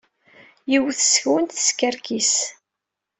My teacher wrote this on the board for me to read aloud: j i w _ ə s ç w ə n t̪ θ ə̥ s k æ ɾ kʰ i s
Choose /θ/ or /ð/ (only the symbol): θ